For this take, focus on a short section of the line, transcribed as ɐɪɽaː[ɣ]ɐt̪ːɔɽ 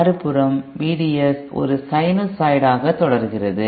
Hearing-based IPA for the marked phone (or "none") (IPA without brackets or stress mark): ɣ